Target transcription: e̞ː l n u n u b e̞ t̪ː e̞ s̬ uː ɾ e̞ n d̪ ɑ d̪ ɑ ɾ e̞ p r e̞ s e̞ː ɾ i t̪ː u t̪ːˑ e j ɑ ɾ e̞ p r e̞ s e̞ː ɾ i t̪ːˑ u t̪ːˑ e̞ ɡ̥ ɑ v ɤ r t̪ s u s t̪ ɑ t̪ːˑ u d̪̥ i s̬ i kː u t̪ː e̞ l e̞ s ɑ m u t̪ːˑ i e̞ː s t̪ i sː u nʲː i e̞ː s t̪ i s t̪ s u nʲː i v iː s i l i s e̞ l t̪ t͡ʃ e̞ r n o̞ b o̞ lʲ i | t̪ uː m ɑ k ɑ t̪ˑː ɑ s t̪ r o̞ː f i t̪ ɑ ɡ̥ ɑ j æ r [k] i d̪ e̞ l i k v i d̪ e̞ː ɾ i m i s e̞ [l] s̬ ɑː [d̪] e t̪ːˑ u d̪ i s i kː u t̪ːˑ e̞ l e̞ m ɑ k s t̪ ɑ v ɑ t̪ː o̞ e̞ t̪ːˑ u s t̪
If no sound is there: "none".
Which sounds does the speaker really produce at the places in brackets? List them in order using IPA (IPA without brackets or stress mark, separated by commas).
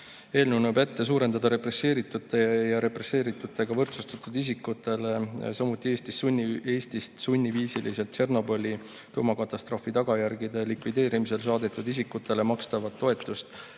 ɡ, l, d̪